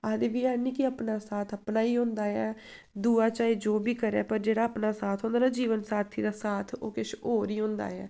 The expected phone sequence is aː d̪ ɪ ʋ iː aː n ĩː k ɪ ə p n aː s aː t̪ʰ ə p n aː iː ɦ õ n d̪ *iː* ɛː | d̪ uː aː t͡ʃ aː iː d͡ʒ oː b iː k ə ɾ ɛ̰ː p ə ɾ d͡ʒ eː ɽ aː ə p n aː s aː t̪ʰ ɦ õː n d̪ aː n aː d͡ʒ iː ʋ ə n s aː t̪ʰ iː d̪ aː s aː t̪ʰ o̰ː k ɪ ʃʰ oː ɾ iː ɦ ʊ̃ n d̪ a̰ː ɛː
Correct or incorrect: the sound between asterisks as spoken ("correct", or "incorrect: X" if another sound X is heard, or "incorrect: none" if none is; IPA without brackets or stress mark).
incorrect: aː